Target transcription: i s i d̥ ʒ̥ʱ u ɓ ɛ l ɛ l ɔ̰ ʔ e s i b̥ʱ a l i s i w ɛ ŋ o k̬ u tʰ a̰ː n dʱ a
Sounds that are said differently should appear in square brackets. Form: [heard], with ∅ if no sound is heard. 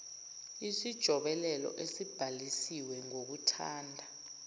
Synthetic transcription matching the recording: i s i d̥ ʒ̥ʱ [ɔ] ɓ ɛ l ɛ l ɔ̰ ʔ e s i b̥ʱ a l i s i w ɛ ŋ o k̬ u tʰ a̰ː n dʱ a